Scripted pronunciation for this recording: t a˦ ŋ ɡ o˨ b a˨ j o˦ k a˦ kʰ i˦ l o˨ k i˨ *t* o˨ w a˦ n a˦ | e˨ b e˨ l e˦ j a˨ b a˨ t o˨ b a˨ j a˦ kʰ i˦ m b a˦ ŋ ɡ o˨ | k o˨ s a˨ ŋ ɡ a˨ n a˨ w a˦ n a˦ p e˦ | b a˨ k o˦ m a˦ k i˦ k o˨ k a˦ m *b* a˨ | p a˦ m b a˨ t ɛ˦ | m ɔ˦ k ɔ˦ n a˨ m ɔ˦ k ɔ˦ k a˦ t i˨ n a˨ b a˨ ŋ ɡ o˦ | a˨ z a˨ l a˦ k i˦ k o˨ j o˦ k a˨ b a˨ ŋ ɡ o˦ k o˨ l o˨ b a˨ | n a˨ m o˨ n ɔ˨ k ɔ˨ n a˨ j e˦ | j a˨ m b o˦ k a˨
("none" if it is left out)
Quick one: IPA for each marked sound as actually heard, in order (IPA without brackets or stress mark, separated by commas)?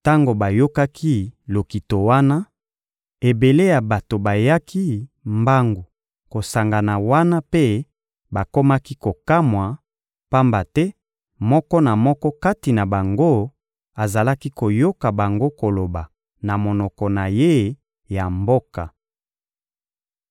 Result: t, w